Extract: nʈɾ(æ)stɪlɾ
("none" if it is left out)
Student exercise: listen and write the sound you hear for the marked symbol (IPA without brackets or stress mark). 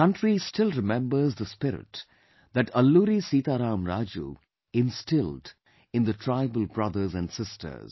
i